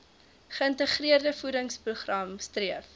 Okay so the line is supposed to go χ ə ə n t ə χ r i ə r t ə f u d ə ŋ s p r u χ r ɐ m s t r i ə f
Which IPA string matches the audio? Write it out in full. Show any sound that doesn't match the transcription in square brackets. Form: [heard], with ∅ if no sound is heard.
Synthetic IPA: χ ə ə n t ə χ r i ə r [d] ə f u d ə ŋ s p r u χ r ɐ m s t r i ə f